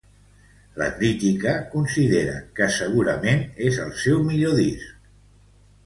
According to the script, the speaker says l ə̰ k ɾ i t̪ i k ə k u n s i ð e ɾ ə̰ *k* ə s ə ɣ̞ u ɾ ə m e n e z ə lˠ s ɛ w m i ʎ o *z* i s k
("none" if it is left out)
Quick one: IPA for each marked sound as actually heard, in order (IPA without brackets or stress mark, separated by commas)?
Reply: k, ð